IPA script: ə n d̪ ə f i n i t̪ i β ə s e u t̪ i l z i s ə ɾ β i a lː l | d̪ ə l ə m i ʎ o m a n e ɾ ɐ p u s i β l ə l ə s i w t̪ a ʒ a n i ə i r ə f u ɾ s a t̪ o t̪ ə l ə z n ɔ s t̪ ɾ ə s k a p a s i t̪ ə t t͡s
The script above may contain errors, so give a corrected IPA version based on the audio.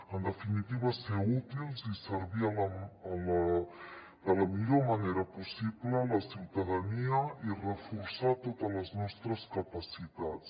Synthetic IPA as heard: ə n d̪ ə f i n i t̪ i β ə s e u t̪ i l z i s ə ɾ β i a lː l | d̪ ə l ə m i ʎ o m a n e ɾ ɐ p u s i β l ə l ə s i w t̪ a ð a n i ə i r ə f u ɾ s a t̪ o t̪ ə l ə z n ɔ s t̪ ɾ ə s k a p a s i t̪ a t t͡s